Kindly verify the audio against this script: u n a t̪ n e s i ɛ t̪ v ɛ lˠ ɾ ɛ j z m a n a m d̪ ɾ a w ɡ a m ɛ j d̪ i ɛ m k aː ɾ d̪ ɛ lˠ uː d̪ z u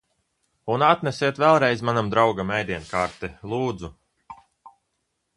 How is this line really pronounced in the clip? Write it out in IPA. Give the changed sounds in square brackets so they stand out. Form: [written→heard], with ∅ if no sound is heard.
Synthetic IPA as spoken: u n a t̪ n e s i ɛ t̪ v ɛ lˠ ɾ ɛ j z m a n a m d̪ ɾ a w ɡ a m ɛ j d̪ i ɛ [m→n] k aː ɾ [d̪→t̪] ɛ lˠ uː d̪ z u